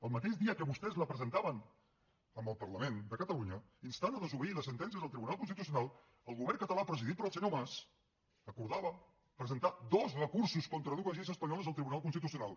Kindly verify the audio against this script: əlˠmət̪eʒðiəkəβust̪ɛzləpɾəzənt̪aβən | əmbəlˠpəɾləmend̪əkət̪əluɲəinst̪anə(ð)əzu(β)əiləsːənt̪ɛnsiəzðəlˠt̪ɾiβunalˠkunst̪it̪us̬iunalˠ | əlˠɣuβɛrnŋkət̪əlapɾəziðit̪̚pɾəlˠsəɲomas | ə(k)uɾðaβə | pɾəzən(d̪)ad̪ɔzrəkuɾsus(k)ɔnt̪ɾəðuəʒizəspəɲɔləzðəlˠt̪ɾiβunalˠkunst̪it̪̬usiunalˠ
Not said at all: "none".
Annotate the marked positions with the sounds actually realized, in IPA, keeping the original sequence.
ð, β, k, t̪, k

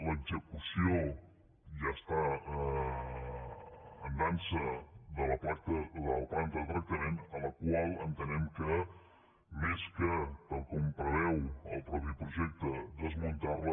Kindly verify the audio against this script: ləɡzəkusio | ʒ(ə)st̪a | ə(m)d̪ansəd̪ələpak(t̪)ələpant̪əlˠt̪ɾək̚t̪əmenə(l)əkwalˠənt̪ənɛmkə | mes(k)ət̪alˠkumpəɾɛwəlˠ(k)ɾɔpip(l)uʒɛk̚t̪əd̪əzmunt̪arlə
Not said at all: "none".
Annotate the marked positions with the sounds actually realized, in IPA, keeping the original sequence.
a, n, t̪, l, k, p, ɾ

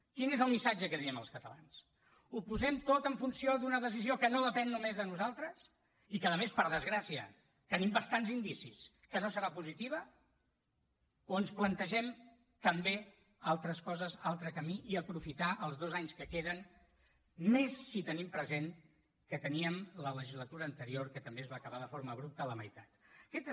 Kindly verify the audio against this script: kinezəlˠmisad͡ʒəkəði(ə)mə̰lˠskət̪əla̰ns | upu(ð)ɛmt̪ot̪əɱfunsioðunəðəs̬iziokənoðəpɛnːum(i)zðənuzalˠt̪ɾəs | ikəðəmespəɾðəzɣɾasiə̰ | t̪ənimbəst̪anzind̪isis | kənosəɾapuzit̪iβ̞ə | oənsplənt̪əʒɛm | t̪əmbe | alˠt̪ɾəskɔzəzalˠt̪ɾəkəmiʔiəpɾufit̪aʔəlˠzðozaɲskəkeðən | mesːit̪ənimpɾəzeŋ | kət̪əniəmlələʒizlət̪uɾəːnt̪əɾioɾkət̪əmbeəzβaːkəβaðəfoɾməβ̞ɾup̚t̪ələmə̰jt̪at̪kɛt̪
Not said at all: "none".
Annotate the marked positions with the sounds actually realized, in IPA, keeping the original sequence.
ə, z, e

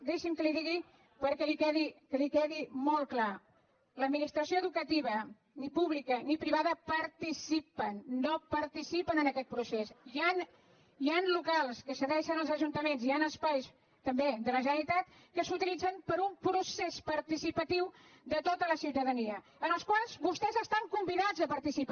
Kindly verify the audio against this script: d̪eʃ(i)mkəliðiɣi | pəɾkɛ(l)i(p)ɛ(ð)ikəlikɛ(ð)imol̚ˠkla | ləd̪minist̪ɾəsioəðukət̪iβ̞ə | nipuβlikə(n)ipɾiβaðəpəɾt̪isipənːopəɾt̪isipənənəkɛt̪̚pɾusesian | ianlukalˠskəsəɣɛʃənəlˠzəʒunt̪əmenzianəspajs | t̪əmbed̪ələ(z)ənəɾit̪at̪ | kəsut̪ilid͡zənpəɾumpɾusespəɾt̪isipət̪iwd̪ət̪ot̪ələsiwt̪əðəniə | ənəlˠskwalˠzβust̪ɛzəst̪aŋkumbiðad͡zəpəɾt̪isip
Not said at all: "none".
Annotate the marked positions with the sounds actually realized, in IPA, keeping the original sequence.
i, l, k, ð, ð, n, ʒ

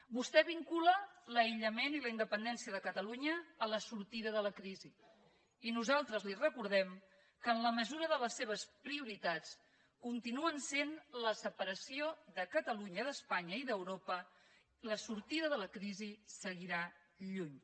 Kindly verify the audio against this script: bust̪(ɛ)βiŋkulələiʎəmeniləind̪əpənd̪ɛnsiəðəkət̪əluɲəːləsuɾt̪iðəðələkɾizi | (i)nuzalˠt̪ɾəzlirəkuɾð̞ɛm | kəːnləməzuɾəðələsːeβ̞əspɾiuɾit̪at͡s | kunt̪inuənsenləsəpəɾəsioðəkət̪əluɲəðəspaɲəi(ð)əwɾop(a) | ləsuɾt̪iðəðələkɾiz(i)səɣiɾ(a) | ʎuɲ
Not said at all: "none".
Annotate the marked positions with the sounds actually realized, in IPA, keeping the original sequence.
ɛ, i, ð, ə, i, a

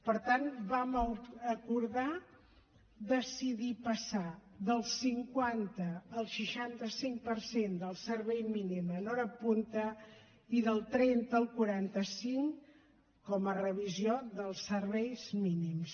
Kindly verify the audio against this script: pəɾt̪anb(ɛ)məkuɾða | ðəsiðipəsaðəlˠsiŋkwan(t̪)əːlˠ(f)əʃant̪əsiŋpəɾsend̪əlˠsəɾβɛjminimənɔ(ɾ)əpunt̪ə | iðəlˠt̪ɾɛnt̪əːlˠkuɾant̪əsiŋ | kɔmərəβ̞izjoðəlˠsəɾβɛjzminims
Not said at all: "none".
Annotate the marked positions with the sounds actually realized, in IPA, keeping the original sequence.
a, t̪, ʃ, ɾ

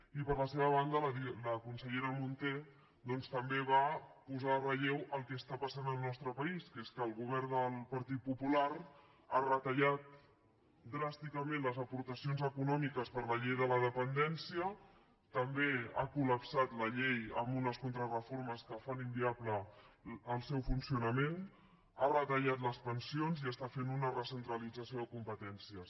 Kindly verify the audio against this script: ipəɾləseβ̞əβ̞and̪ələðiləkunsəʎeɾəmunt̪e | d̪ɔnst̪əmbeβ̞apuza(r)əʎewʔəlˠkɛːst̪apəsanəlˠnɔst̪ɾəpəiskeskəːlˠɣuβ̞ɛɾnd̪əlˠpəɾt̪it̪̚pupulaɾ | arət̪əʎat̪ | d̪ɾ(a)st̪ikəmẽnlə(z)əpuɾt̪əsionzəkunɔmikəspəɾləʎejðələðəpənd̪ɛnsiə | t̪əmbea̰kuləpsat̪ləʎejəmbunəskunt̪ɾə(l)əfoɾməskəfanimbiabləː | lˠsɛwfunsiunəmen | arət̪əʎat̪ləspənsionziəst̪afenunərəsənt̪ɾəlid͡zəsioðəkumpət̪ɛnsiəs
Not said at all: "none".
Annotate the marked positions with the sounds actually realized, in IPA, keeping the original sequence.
r, a, z, r

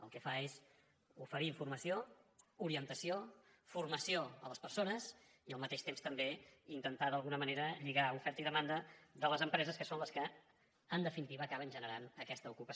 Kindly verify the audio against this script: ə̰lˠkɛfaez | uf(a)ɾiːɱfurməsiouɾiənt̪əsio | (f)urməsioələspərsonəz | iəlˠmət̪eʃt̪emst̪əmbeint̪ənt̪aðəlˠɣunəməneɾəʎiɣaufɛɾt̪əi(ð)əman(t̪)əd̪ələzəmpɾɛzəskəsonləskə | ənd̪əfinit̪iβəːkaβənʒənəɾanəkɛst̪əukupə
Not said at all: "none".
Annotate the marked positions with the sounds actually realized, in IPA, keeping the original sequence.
ə, f, ð, d̪

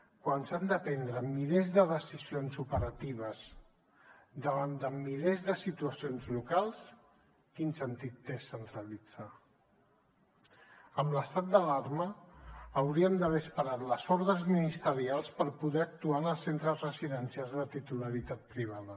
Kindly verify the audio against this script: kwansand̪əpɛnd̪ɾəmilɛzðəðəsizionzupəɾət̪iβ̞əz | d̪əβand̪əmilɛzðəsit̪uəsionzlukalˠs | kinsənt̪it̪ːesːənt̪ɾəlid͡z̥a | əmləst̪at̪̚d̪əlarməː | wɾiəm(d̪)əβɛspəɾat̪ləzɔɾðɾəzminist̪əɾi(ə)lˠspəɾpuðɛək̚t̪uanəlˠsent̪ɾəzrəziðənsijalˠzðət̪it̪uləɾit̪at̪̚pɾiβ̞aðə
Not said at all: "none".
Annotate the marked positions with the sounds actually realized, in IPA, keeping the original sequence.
d̪, a

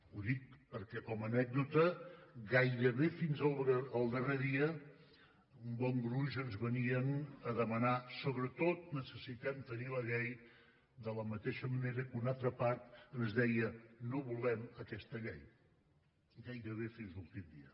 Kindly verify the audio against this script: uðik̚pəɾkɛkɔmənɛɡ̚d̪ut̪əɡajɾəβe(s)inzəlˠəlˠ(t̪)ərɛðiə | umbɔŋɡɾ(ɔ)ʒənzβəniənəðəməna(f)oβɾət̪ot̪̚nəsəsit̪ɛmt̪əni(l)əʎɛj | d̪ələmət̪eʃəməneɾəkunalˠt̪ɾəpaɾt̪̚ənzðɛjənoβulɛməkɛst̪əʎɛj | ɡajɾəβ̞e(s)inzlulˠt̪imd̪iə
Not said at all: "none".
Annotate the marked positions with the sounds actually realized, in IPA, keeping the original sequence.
f, d̪, u, s, l, f

